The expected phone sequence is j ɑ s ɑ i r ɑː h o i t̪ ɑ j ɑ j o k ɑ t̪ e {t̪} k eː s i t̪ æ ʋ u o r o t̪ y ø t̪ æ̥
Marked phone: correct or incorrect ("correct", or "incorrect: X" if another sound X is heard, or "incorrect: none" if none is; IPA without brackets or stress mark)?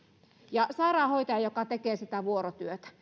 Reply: incorrect: none